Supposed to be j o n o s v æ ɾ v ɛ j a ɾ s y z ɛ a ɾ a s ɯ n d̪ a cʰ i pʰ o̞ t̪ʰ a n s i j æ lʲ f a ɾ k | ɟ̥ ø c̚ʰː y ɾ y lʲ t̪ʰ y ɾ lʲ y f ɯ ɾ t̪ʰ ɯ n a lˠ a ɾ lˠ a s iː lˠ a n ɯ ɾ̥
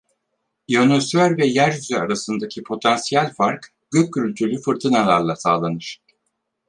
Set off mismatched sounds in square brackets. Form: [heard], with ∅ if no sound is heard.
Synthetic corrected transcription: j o n o s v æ ɾ v ɛ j [æ] ɾ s y z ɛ a ɾ a s ɯ n d̪ a cʰ i pʰ o̞ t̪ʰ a n s i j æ lʲ f a ɾ k | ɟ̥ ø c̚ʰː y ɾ y lʲ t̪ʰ y ɾ lʲ y f ɯ ɾ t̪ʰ ɯ n a lˠ a ɾ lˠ a s [aː] lˠ a n ɯ ɾ̥